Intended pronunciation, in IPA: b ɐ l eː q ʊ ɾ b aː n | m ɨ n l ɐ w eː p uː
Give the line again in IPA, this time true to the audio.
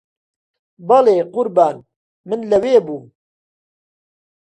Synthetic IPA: b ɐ l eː q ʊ ɾ b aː n | m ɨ n l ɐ w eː b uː

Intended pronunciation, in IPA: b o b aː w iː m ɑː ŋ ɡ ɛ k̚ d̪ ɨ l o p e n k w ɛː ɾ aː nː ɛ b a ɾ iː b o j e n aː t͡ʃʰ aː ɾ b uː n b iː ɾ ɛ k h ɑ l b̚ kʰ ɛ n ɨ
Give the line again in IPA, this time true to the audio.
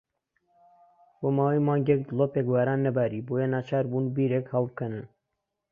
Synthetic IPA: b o m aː w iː m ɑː ŋ ɡ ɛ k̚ d̪ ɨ l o p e k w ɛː ɾ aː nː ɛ b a ɾ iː b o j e n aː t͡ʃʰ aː ɾ b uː n b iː ɾ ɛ k h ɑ l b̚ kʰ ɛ n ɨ

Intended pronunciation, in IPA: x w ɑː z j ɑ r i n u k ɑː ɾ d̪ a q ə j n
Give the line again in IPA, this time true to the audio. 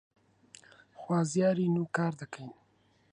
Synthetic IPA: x w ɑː z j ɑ ɾ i n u k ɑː ɾ d̪ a k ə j n

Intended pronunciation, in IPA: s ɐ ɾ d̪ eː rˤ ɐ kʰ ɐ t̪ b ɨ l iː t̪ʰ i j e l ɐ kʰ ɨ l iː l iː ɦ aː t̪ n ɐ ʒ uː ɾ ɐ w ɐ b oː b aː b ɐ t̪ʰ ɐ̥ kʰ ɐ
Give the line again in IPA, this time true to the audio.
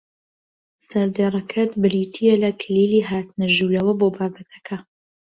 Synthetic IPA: s ɐ ɾ d̪ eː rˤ ɐ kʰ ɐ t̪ b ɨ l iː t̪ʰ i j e l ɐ kʰ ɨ l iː l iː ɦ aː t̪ n ɐ ʒ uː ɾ ɐ w ɐ b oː b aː b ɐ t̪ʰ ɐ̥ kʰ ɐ

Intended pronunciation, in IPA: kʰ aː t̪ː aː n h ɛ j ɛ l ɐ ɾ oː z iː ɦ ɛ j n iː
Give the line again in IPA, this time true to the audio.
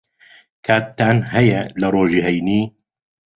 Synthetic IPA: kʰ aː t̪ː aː n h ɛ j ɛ l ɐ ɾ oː ʒ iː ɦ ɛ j n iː

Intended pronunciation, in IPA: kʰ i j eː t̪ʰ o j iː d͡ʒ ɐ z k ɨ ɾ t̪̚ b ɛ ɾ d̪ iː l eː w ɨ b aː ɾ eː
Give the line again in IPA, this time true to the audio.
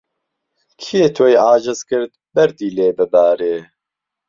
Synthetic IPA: kʰ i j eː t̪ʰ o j aː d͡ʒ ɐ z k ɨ ɾ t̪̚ b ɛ ɾ d̪ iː l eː b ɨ b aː ɾ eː

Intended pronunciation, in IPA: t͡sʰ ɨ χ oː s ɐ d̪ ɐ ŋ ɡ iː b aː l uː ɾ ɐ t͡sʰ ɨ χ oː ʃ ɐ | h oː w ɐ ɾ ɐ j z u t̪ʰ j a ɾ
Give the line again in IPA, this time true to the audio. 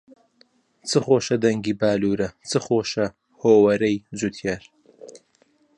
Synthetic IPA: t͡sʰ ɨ χ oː ʃ ɐ d̪ ɐ ŋ ɡ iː b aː l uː ɾ ɐ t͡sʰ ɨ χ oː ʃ ɐ | h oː w ɐ ɾ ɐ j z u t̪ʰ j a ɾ

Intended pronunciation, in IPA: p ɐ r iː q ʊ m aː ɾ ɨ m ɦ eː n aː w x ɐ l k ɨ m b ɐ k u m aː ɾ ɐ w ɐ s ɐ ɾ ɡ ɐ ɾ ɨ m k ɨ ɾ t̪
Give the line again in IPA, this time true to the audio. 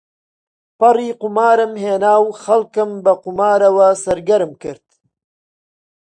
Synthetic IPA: p ɐ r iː q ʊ m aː ɾ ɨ m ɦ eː n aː w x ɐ l k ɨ m b ɐ q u m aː ɾ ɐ w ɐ s ɐ ɾ ɡ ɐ ɾ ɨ m k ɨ ɾ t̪

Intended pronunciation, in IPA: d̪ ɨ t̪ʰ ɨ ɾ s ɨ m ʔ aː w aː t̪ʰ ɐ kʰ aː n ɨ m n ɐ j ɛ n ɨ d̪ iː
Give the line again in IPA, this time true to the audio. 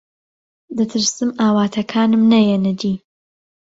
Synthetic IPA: d̪ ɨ t̪ʰ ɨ ɾ s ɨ m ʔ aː w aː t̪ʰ ɐ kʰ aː n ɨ m n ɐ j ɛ n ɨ d̪ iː

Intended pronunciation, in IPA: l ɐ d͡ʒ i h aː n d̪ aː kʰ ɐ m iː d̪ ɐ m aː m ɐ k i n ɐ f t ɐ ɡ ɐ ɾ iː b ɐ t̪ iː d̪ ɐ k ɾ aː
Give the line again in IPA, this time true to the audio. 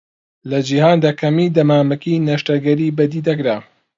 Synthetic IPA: l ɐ d͡ʒ i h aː n d̪ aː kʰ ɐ m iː d̪ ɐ m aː m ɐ k i n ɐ ʃ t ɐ ɡ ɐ ɾ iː b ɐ d̪ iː d̪ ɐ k ɾ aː

